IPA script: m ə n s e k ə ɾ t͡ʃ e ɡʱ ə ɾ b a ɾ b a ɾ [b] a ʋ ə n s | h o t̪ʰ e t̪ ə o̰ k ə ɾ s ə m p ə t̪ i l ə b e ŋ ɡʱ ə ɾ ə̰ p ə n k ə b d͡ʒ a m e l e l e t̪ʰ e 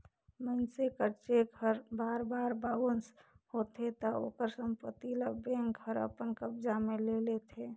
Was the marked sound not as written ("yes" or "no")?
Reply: no